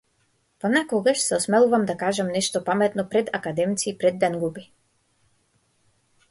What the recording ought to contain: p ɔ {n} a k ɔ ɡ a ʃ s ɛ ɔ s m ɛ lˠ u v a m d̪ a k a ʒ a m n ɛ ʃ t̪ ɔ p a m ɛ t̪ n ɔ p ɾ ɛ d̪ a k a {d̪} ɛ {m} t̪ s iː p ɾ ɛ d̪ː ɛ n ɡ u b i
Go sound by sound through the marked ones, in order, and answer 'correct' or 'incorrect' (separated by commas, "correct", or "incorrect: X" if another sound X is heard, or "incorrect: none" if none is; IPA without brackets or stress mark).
correct, correct, correct